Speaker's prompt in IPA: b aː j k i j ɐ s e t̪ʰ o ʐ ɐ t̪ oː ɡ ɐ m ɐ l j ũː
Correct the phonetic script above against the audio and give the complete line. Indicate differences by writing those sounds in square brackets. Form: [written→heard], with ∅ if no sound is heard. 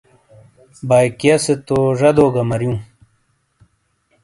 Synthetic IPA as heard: b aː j k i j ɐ s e [t̪ʰ→t̪] o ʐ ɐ [t̪→d̪] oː ɡ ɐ m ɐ [l→ɾ] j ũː